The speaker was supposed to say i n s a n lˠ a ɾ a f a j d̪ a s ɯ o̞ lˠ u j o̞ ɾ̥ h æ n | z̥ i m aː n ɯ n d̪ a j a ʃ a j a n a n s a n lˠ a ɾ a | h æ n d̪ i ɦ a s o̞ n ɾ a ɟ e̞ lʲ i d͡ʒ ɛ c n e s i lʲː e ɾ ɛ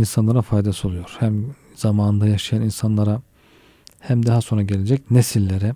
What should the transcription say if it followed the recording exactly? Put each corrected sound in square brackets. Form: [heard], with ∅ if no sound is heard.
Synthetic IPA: i n s a n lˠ a ɾ a f a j d̪ a s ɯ o̞ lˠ u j o̞ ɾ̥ h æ [m] | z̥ [a] m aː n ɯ n d̪ a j a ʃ a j a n [i] n s a n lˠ a ɾ a | h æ [m] d̪ [a] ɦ a s o̞ n ɾ a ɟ e̞ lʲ [e] d͡ʒ ɛ c n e s i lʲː e ɾ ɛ